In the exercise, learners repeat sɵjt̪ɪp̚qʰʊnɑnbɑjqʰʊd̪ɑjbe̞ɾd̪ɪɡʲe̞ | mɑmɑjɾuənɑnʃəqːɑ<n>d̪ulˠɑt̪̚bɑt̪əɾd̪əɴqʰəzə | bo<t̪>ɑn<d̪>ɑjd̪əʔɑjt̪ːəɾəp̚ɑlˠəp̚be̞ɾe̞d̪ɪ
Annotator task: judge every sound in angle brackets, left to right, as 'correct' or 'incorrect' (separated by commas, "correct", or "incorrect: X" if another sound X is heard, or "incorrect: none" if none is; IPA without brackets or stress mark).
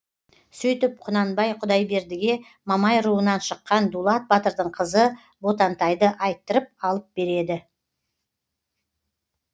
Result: correct, correct, incorrect: t̪